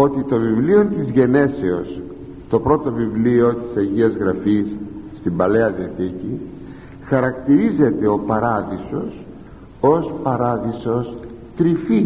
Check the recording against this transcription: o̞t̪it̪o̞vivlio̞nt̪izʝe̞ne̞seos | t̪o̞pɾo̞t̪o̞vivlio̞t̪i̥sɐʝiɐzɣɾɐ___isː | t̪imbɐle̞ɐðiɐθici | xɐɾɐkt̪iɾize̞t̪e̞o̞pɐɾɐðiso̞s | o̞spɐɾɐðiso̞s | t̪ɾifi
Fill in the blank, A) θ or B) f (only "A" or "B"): B